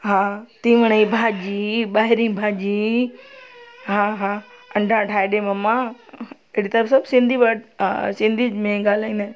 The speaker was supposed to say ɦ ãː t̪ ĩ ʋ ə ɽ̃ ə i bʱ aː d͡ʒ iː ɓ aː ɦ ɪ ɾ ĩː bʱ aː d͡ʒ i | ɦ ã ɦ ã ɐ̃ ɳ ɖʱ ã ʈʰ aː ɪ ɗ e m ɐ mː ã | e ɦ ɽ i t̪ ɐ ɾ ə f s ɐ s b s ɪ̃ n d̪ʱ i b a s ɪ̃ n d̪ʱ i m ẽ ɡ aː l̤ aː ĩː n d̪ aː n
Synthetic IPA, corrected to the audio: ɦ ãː t̪ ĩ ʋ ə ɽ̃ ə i bʱ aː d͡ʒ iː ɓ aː ɦ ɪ ɾ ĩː bʱ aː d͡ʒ i | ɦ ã ɦ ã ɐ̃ ɳ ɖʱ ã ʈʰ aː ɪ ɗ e m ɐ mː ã | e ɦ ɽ i t̪ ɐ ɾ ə f s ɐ b s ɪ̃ n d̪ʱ i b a s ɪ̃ n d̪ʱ i m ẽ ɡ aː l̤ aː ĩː n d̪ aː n